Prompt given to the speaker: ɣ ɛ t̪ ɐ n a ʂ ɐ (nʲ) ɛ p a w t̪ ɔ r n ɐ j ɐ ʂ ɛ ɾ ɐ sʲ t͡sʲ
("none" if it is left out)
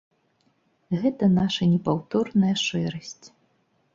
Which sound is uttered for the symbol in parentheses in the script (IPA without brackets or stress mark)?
nʲ